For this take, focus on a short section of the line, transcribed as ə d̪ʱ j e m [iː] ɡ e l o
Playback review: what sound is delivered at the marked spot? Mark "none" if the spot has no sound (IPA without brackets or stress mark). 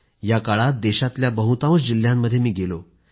iː